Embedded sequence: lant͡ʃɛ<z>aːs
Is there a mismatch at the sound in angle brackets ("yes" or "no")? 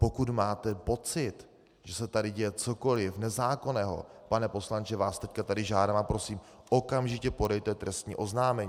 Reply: yes